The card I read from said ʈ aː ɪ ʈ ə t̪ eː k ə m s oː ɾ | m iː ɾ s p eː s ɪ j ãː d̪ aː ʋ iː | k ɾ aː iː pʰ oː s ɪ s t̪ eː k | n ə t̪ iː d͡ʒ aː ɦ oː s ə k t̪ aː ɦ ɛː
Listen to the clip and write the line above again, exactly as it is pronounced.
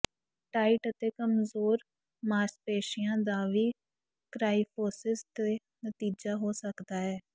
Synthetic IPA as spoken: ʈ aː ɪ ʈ ə t̪ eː k ə m z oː ɾ | m aː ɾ s p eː ʃ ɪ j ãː d̪ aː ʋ iː | k ɾ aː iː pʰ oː s ɪ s t̪ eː | n ə t̪ iː d͡ʒ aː ɦ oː s ə k d̪ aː ɦ ɛː